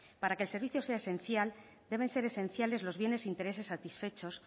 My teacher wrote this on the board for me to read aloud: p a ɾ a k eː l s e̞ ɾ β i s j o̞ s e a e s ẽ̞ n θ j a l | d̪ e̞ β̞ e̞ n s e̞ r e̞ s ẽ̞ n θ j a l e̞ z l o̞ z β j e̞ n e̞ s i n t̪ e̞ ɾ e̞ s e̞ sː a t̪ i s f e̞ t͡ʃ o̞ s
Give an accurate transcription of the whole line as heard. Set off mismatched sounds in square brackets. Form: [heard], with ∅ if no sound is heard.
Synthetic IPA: p a ɾ a k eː l s e̞ ɾ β i [θ] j o̞ s e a e s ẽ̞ n θ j a l | d̪ e̞ β̞ e̞ n s e̞ [ɾ] e̞ s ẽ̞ n θ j a l e̞ z l o̞ z β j e̞ n e̞ s i n t̪ e̞ ɾ e̞ s e̞ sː a t̪ i s f e̞ t͡ʃ o̞ s